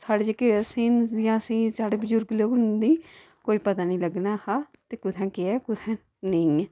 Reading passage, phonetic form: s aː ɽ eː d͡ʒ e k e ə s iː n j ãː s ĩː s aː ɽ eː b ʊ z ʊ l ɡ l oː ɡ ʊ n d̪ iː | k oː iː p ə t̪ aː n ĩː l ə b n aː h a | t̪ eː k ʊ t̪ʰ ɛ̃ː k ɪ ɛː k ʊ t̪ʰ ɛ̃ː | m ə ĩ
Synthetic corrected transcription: s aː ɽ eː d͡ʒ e k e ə s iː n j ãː s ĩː s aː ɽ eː b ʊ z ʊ ɾ ɡ l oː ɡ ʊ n d̪ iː | k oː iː p ə t̪ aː n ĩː l ə ɡ n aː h a | t̪ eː k ʊ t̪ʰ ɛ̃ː k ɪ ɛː k ʊ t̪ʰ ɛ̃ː | n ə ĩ